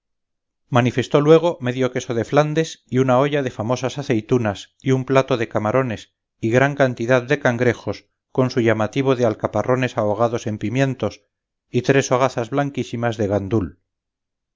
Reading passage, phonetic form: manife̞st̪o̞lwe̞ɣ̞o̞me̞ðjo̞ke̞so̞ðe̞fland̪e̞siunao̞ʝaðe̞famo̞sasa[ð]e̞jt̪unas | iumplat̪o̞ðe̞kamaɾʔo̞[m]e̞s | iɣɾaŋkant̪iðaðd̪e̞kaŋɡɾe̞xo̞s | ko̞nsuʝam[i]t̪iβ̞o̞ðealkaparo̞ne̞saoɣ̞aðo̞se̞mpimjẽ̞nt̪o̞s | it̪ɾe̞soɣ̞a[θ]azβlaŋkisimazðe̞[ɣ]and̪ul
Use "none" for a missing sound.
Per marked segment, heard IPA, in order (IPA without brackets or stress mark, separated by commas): θ, n, a, θ, ɣ